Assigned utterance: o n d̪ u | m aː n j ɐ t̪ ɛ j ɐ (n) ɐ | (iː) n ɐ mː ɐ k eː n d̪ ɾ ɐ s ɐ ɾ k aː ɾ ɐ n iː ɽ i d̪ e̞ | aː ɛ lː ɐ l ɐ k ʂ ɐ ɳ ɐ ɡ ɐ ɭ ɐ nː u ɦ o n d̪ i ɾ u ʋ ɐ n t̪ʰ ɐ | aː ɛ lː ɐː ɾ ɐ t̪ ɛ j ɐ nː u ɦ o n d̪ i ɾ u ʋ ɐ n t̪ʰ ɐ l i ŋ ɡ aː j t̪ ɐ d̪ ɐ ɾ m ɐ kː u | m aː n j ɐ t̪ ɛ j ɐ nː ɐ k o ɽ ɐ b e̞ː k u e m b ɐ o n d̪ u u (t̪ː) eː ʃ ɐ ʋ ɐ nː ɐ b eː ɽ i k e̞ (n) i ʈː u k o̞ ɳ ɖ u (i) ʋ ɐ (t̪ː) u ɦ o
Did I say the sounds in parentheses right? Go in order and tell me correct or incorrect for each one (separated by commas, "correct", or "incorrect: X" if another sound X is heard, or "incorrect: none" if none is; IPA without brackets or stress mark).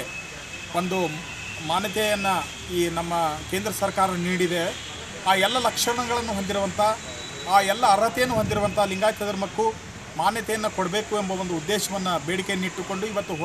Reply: incorrect: nː, correct, incorrect: d̪ː, correct, correct, correct